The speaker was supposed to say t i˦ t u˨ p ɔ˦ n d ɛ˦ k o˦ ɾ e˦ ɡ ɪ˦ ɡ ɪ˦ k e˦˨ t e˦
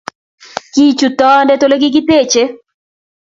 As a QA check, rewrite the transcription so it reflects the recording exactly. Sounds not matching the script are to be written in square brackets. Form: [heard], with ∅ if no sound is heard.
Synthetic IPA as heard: [k] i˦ [t͡ʃ] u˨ [t] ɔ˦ n d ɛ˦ [t] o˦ [l] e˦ ɡ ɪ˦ ɡ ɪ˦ [t] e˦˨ [t͡ʃ] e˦